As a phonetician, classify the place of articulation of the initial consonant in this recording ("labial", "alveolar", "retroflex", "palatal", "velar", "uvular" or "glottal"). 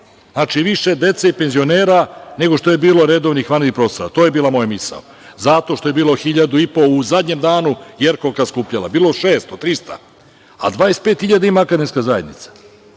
alveolar